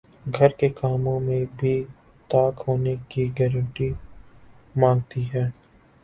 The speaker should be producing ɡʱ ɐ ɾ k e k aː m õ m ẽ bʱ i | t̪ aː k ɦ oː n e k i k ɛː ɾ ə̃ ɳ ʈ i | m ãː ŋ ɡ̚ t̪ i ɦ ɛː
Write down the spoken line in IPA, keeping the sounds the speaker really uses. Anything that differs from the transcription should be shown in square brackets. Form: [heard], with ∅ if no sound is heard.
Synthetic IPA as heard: ɡʱ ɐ ɾ k e k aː m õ m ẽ bʱ i | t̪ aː k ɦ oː n e k i [ɡ] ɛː ɾ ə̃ ɳ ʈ i | m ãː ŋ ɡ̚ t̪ i ɦ ɛː